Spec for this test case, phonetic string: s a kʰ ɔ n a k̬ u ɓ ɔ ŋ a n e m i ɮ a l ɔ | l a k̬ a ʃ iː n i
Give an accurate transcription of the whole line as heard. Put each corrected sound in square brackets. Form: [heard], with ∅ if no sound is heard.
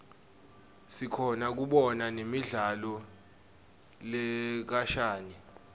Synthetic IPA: s [i] kʰ ɔ n a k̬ u ɓ ɔ [n] a n e m i ɮ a l ɔ | l [ɛ] k̬ a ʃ [aː] n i